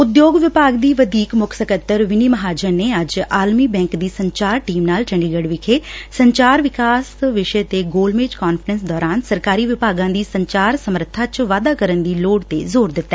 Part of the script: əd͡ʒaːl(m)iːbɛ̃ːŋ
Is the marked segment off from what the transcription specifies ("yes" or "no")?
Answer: no